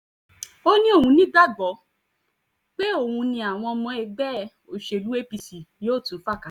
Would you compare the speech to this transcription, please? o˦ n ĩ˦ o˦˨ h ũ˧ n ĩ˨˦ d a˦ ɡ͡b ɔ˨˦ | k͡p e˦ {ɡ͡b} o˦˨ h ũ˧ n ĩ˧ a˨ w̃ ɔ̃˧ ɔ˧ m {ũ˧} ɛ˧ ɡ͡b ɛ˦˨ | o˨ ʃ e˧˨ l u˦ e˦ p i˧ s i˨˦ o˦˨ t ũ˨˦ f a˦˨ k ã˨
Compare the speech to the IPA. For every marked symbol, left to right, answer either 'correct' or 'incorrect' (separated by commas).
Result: incorrect, incorrect